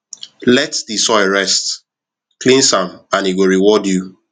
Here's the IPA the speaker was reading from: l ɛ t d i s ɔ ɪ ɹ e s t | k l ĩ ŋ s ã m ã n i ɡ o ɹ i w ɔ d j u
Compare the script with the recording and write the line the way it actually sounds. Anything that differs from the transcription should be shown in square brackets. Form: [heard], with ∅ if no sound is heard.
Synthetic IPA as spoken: l ɛ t d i s ɔ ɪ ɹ [ɛ] s t | k l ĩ [n] s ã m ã n i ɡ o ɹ i w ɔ d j u

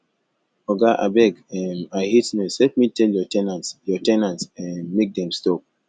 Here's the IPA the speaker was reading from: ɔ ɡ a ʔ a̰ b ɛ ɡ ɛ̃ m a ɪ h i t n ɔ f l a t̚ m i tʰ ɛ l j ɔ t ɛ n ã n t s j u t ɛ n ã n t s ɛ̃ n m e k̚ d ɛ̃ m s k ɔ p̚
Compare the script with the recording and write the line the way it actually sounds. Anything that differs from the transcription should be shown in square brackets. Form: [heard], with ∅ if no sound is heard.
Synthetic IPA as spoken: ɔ ɡ a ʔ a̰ b ɛ ɡ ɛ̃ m a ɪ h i t n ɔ [s] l [ɛ] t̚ m i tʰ ɛ l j ɔ t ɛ n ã n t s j [ɔ] t ɛ n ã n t s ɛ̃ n m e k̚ d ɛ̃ m s [t] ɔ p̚

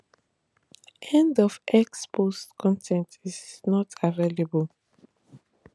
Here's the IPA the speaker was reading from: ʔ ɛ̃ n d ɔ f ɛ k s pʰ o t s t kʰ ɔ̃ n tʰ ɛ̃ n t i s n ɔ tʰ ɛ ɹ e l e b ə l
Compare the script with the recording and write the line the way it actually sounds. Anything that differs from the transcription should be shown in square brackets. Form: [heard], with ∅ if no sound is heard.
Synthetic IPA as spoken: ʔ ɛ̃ n d ɔ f ɛ k s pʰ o [∅] s t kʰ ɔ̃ n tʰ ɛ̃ n t i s n ɔ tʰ [a] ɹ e l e b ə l

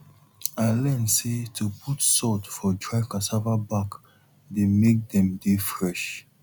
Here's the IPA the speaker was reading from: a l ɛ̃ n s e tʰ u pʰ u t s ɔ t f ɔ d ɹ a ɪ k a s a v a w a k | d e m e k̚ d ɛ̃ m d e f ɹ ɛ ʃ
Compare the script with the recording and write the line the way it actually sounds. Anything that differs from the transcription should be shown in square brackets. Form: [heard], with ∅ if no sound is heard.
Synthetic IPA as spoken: a l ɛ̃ n s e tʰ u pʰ u t s ɔ t f ɔ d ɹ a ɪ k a s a v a [b] a k | d e m e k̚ d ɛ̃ m d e f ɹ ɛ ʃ

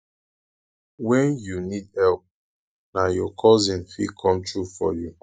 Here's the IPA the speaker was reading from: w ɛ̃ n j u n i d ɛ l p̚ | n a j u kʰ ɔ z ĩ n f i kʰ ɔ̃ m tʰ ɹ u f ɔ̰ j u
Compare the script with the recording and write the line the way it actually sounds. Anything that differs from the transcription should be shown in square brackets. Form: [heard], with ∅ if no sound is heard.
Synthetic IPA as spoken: w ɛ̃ n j u n i d ɛ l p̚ | n a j [ɔ] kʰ ɔ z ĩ n f i kʰ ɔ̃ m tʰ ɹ u f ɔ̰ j u

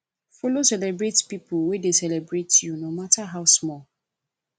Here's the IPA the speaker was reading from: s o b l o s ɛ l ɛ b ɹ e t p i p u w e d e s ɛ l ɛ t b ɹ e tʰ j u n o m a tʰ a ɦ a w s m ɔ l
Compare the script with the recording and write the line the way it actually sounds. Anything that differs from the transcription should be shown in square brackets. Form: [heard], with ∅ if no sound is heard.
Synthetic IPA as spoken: [f] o [∅] l o s ɛ l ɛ b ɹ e t p i p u w e d e s ɛ l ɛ [∅] b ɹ e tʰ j u n o m a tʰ a ɦ a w s m ɔ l

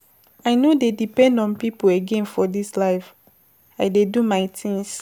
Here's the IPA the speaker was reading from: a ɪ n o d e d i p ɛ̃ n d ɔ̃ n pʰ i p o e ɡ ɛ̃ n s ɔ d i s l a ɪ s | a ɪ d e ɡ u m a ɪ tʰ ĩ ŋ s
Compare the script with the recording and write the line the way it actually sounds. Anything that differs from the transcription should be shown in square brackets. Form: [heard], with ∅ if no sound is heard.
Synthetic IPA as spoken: a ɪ n o d e d i p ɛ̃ n d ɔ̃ n [p] i p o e ɡ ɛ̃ n [f] ɔ d i s l a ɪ [f] | a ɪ d e [d] u m a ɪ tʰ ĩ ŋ s

